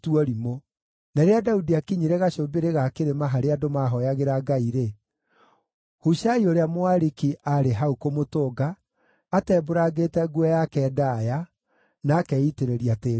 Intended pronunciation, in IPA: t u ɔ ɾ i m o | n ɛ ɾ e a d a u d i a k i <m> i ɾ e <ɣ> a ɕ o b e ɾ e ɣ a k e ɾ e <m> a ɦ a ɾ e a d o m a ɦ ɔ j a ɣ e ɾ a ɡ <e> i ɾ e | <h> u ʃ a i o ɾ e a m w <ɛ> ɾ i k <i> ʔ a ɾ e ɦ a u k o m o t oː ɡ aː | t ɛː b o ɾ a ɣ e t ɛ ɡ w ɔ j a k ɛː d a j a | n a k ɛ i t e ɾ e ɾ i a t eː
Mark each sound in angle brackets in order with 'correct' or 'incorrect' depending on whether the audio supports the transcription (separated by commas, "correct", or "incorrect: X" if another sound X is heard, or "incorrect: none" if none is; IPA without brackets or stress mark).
incorrect: ɲ, correct, correct, incorrect: a, correct, incorrect: a, correct